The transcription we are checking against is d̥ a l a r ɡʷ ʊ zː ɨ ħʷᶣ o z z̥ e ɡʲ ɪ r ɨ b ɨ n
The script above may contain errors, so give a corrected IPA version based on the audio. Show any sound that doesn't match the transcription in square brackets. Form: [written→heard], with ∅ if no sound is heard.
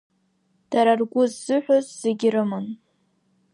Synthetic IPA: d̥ a [l→ɾ] a r ɡʷ ʊ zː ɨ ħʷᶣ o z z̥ e ɡʲ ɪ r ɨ [b→m] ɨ n